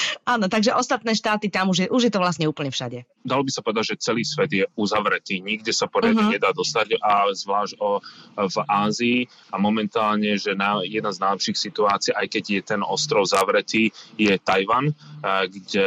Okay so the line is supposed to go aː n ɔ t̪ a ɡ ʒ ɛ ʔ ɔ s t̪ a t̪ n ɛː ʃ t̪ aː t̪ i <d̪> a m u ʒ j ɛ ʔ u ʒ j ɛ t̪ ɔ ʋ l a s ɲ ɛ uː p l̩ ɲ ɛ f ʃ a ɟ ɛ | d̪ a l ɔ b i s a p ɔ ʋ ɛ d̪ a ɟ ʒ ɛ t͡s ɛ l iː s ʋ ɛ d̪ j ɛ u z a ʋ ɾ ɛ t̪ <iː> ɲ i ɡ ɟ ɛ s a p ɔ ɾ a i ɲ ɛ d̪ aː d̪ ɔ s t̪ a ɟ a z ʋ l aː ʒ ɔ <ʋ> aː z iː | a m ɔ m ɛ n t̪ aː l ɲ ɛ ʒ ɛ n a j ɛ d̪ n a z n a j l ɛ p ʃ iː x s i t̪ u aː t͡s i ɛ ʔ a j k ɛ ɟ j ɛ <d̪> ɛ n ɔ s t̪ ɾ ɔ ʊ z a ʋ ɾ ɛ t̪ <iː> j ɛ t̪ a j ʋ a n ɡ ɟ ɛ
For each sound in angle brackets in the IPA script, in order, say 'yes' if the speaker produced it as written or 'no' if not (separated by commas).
no, yes, no, no, yes